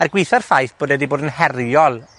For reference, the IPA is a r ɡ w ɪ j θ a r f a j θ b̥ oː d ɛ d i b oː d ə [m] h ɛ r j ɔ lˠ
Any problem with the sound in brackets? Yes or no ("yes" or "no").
yes